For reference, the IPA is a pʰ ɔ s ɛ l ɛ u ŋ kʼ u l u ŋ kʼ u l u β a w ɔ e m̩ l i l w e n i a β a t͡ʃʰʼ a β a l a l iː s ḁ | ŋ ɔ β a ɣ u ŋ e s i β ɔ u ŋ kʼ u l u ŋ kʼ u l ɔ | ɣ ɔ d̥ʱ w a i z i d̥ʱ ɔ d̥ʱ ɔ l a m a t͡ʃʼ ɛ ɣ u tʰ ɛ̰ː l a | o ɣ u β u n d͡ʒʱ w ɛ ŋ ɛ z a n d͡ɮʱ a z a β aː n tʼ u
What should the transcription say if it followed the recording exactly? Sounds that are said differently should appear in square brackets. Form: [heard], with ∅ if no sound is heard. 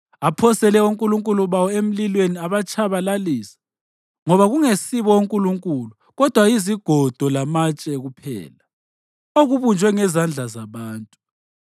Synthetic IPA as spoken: a pʰ ɔ s ɛ l ɛ u ŋ kʼ u l u ŋ kʼ u l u β a w ɔ e m̩ l i l w e n i a β a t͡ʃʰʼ a β a l a l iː s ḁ | ŋ ɔ β a ɣ u ŋ e s i β ɔ u ŋ kʼ u l u ŋ kʼ u l [u] | ɣ ɔ d̥ʱ w a i z i [ɡ̥ʱ] ɔ d̥ʱ ɔ l a m a t͡ʃʼ ɛ ɣ u [pʰ] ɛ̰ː l a | o ɣ u β u n d͡ʒʱ w ɛ ŋ ɛ z a n d͡ɮʱ a z a β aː n tʼ u